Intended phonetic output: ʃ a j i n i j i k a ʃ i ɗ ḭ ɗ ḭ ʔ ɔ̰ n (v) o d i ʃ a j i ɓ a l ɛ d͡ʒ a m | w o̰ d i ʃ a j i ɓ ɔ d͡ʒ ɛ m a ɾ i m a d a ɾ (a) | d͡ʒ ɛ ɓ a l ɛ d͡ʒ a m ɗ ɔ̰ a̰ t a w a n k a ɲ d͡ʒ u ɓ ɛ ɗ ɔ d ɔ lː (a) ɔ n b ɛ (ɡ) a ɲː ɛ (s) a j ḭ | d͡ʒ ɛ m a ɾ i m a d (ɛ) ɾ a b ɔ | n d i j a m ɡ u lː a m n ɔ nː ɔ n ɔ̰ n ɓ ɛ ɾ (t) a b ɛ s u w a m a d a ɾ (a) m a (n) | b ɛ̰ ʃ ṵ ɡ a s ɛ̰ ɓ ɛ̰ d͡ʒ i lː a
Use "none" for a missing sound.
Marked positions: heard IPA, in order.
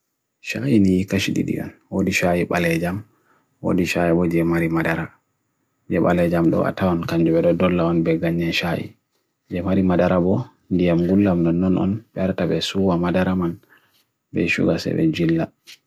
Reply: w, a, a, ɡ, ʃ, a, t, a, n

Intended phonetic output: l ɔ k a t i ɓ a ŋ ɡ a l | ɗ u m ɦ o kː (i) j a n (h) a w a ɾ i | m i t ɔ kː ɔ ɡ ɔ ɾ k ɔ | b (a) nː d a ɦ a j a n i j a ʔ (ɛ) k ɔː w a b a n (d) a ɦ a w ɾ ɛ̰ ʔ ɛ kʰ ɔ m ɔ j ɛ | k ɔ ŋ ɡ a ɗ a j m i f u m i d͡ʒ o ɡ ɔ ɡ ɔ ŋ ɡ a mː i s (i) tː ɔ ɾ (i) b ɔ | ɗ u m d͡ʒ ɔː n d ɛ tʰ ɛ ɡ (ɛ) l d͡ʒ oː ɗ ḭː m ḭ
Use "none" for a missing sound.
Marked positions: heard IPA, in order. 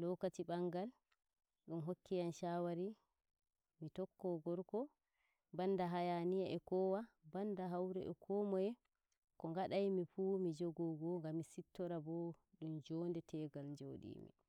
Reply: i, ʃ, a, ɛ, d, i, a, a

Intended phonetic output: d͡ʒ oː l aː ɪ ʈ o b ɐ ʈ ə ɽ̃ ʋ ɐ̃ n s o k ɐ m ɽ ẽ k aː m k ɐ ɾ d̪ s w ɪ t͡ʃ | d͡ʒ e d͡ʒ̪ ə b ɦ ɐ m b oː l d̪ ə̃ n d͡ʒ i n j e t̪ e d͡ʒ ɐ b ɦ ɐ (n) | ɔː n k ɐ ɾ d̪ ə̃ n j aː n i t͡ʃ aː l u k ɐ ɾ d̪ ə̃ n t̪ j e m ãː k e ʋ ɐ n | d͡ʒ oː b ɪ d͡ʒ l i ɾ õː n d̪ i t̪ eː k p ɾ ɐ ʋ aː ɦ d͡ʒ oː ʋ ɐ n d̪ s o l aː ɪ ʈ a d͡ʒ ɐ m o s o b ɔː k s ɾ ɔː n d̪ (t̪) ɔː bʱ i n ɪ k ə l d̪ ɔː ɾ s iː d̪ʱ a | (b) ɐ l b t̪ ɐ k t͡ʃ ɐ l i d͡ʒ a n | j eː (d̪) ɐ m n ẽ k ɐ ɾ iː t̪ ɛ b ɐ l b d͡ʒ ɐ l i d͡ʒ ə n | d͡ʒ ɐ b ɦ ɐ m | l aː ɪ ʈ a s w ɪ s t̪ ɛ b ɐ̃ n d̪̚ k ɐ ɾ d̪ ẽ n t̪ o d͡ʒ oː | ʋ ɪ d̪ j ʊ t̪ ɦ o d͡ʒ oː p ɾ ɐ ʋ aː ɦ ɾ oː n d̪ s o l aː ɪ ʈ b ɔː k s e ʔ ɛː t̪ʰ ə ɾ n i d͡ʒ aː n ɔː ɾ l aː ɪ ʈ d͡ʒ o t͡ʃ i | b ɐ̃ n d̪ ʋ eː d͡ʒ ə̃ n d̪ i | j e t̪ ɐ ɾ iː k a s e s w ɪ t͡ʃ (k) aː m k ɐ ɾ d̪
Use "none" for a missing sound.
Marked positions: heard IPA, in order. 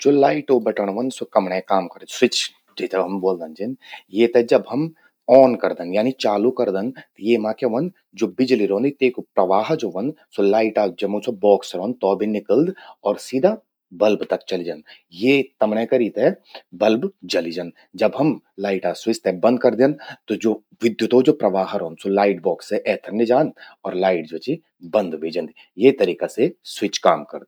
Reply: m, t̪, b, t̪, k

